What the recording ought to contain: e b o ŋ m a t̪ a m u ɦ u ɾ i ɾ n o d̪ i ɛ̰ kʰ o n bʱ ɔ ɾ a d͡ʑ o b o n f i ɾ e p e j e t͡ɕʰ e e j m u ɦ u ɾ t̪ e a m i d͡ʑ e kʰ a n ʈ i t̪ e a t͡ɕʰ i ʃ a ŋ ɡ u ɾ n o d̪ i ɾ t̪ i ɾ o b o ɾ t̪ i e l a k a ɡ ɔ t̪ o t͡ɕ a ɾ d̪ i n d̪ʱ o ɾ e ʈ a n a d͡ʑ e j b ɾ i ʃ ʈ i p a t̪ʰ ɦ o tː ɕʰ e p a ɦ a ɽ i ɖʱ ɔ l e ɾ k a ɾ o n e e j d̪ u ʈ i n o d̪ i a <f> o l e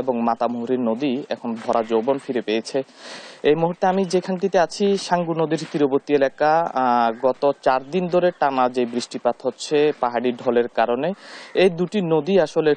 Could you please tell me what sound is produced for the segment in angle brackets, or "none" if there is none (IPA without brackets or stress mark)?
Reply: ʃ